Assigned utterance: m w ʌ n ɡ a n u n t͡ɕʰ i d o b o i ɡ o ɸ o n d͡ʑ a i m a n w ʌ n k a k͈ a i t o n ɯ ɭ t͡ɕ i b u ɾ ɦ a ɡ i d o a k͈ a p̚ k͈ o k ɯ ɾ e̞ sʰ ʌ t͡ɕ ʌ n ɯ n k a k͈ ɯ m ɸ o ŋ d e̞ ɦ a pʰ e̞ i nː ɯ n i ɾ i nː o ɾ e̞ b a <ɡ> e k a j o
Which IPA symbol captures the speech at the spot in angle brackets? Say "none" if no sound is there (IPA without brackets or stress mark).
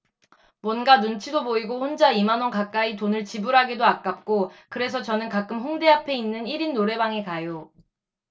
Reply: ŋ